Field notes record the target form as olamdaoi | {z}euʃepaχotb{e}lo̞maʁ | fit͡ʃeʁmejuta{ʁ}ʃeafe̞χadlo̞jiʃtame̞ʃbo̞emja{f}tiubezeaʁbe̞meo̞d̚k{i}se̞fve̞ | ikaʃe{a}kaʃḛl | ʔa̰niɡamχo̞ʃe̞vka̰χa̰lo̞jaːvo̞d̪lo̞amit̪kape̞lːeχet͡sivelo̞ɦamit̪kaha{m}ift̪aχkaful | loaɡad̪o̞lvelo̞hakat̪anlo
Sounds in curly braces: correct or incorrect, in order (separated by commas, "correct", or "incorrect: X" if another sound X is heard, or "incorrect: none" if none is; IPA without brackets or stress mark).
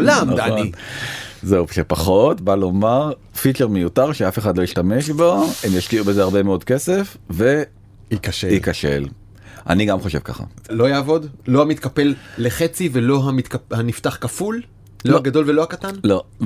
correct, incorrect: a, correct, incorrect: ʃ, incorrect: e, incorrect: i, incorrect: n